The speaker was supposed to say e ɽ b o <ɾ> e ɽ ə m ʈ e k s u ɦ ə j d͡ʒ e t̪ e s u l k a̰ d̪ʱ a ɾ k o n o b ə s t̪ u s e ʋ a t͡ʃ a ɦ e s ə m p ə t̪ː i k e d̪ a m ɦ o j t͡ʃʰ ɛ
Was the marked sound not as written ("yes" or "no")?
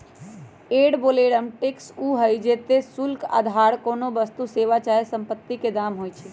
yes